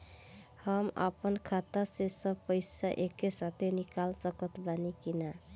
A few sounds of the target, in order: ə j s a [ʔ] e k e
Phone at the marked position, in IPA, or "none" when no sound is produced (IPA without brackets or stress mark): ʔ